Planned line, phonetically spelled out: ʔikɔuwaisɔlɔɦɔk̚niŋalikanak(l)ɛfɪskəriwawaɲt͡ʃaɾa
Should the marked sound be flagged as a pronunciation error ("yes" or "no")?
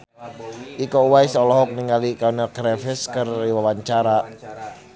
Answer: yes